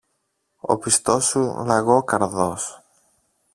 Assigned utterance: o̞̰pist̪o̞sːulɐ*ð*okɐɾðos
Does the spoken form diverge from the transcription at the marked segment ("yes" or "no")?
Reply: yes